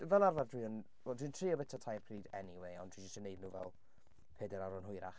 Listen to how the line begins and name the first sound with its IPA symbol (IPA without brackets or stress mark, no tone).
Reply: v